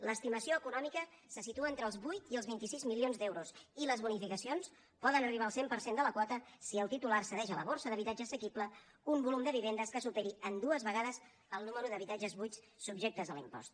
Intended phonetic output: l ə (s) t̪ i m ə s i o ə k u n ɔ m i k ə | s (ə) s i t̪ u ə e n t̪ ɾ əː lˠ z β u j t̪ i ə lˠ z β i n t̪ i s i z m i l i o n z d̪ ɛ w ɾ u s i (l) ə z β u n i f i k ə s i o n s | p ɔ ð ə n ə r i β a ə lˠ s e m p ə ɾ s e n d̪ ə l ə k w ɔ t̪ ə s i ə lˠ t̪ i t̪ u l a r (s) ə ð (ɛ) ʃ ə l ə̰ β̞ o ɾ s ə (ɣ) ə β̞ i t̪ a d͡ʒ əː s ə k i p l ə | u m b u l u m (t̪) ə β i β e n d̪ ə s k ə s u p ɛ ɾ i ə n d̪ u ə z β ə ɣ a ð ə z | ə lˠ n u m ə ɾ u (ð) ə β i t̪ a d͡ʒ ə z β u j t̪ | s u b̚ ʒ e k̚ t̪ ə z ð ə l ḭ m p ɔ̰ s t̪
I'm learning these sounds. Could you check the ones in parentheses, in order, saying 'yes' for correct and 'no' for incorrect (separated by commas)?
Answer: yes, yes, yes, yes, yes, no, no, yes